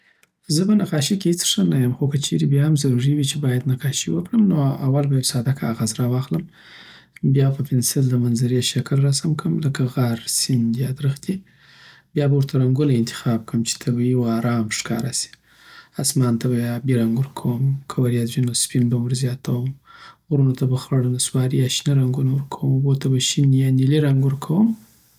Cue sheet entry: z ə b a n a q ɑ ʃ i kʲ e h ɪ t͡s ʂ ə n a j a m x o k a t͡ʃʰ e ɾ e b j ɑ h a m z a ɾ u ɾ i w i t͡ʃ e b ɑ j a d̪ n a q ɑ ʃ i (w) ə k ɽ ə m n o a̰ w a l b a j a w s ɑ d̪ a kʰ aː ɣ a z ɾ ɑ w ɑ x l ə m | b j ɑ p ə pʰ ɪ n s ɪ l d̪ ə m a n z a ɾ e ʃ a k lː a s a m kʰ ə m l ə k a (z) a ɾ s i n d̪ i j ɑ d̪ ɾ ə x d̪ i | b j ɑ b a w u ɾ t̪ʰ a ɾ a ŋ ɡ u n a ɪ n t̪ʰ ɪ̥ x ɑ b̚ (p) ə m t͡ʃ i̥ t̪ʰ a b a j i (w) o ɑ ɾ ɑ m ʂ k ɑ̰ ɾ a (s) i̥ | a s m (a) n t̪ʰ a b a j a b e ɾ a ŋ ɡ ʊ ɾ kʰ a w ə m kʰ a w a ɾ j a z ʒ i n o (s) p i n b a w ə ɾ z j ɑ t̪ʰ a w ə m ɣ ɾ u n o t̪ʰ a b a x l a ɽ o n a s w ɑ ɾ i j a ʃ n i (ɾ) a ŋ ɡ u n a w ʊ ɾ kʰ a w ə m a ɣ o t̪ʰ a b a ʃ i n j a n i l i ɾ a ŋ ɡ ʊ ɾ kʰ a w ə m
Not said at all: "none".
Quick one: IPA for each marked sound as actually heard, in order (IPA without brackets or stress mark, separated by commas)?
w, ɣ, k, w, s, ɑ, s, ɾ